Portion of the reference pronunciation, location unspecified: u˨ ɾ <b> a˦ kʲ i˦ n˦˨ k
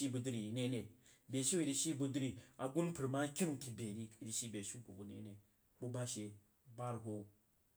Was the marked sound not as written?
yes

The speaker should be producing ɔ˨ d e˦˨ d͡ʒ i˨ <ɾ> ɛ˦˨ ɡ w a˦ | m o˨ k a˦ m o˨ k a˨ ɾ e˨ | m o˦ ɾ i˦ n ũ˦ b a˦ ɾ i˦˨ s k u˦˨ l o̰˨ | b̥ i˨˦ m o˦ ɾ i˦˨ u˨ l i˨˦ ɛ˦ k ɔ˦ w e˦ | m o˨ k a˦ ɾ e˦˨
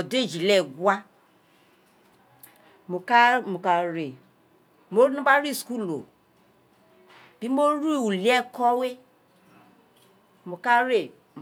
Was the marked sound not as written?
yes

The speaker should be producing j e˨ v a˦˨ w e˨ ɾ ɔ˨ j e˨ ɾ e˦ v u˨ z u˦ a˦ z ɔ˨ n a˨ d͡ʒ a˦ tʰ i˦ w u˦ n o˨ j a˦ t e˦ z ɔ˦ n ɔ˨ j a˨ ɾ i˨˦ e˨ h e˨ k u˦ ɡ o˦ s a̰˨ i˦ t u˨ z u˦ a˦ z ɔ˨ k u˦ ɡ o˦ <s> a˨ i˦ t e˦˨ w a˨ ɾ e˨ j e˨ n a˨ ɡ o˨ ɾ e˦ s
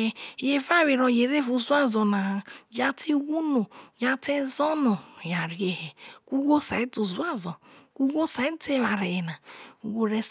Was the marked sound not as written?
no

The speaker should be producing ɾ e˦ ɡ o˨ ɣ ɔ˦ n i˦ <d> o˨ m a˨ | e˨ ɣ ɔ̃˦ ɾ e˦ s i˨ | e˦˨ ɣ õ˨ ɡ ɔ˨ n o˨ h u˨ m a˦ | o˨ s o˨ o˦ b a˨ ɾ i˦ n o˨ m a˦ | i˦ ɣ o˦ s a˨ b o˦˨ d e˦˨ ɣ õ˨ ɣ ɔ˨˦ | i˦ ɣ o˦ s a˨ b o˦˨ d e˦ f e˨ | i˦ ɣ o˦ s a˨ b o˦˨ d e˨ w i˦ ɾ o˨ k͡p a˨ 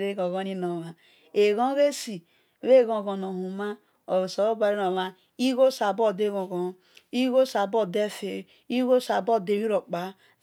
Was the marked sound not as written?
yes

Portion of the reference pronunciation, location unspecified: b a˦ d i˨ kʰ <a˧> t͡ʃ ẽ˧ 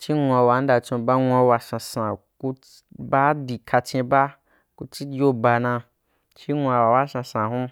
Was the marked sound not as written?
no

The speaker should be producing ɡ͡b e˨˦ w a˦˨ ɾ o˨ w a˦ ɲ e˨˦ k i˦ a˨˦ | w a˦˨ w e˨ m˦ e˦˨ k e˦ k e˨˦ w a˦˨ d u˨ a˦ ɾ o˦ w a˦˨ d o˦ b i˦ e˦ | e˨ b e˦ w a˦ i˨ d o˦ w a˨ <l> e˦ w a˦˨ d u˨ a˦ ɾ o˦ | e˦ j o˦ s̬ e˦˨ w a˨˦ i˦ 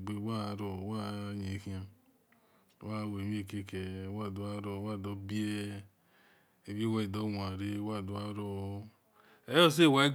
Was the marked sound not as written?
yes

